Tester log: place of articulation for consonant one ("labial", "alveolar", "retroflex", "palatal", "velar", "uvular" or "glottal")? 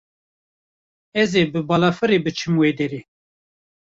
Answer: alveolar